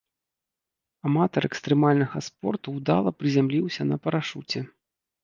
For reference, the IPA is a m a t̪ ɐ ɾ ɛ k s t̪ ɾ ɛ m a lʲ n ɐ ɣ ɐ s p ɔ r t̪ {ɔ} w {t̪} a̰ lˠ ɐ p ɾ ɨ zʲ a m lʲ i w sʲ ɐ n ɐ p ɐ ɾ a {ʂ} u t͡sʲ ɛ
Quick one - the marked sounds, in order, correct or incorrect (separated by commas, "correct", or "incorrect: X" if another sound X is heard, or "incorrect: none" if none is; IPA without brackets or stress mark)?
incorrect: u, incorrect: d̪, correct